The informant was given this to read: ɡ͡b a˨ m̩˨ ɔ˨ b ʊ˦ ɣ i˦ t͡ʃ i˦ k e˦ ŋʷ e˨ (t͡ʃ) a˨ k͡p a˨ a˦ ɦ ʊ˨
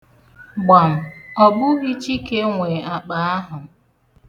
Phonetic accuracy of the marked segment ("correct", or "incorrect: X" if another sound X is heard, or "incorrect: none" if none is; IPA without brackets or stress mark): incorrect: none